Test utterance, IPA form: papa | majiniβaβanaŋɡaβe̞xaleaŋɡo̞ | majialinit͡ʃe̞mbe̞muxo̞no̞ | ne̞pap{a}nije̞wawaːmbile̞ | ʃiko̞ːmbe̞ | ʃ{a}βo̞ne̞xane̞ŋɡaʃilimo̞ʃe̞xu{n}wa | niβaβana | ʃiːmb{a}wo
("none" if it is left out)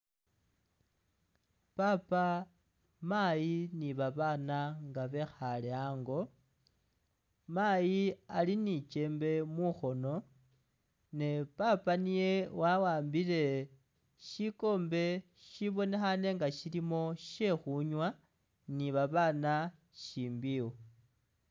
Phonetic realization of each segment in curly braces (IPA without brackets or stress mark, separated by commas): a, i, ɲ, i